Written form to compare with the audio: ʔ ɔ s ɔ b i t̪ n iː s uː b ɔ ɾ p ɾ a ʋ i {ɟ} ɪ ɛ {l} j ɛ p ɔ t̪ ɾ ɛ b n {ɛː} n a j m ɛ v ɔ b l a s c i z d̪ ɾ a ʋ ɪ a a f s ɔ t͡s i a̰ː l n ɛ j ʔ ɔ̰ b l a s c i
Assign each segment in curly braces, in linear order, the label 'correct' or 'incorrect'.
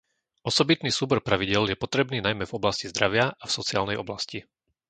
correct, correct, incorrect: iː

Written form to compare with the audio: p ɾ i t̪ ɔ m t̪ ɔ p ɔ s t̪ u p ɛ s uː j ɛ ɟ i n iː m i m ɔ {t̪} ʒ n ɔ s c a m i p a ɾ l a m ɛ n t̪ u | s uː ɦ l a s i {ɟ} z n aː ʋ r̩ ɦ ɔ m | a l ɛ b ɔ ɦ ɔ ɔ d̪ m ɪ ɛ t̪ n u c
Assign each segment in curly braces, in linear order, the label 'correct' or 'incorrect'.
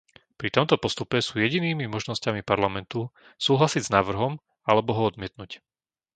incorrect: none, correct

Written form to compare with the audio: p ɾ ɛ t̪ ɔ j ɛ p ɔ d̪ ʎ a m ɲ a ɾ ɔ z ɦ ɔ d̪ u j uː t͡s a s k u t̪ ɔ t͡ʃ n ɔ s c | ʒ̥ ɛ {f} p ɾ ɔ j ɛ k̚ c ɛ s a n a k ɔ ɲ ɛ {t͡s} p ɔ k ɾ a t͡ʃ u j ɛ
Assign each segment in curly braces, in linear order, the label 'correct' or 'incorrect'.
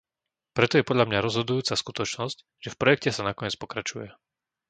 correct, correct

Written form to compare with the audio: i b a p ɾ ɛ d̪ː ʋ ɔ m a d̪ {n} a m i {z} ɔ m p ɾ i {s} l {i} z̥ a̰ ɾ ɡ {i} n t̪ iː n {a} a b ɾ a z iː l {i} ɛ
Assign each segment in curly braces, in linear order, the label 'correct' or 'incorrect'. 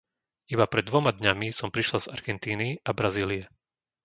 incorrect: ɲ, incorrect: s, incorrect: ʃ, incorrect: a, incorrect: ɛ, incorrect: i, correct

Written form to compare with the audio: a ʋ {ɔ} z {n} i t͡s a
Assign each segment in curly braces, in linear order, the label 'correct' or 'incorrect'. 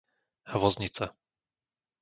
correct, incorrect: ɲ

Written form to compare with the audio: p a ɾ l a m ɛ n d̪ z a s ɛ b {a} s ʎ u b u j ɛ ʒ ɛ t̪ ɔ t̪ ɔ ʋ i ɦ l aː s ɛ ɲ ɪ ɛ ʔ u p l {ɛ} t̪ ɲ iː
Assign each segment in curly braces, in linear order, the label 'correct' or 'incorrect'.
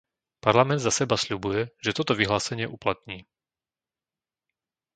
correct, incorrect: a

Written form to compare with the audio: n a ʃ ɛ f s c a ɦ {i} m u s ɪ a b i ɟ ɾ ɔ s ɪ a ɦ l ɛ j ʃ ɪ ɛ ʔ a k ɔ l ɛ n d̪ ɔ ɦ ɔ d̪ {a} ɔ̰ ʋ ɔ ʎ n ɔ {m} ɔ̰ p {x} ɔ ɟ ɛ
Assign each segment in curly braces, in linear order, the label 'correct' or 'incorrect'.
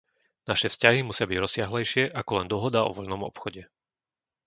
correct, correct, correct, correct

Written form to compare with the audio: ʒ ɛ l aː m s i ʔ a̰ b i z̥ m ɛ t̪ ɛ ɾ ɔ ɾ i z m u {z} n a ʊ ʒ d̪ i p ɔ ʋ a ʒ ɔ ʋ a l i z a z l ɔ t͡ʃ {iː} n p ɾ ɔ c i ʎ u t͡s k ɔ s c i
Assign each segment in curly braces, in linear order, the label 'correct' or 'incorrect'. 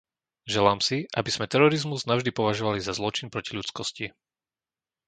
correct, incorrect: i

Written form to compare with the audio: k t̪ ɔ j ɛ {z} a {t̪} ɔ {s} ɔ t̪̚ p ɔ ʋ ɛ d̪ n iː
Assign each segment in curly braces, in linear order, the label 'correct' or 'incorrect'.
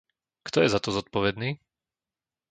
correct, correct, incorrect: z

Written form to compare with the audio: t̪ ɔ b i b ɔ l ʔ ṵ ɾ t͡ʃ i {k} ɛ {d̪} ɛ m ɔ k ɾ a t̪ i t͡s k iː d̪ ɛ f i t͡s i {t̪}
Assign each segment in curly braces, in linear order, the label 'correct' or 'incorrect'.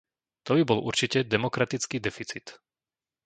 incorrect: c, correct, correct

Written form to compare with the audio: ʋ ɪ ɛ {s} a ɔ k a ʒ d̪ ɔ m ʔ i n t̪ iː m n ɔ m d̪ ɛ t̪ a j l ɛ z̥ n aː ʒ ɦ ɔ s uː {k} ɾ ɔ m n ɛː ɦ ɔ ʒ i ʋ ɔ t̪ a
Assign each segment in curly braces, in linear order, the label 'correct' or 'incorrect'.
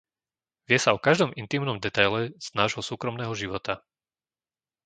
correct, correct

